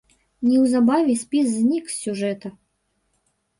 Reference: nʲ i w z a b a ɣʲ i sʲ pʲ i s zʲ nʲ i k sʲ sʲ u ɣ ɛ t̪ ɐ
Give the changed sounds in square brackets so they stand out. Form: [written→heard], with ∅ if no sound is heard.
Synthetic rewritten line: nʲ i w z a b a [ɣʲ→vʲ] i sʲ pʲ i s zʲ nʲ i k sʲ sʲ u [ɣ→ʐ] ɛ t̪ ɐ